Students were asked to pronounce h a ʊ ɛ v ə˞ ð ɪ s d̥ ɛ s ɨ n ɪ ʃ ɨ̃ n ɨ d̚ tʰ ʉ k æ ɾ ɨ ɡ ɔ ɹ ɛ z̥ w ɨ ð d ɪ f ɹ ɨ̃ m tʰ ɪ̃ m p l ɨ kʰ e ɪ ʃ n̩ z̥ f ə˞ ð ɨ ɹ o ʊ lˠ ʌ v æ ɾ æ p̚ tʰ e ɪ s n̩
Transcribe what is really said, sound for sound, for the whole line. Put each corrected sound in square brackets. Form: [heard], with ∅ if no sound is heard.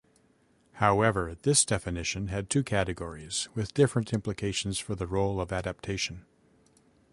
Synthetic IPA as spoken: h a ʊ ɛ v ə˞ ð ɪ s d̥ ɛ [f] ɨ n ɪ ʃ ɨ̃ n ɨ d̚ tʰ ʉ [kʰ] æ ɾ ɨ ɡ ɔ ɹ [i] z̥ w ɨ ð d ɪ f ɹ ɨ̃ [n] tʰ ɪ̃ m p l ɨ kʰ e ɪ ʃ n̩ z̥ f ə˞ ð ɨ ɹ o ʊ lˠ ʌ v æ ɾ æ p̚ tʰ e ɪ [ʃ] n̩